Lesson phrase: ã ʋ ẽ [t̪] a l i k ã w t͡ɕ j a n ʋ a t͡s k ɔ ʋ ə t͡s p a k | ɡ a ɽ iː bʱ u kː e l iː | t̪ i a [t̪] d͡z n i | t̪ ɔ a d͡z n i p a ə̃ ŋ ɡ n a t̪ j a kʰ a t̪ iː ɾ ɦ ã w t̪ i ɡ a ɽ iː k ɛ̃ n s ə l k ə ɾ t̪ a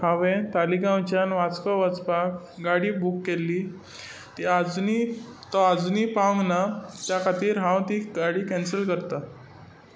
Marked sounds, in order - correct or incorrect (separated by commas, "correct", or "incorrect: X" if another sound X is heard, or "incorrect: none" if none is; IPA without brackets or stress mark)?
correct, incorrect: none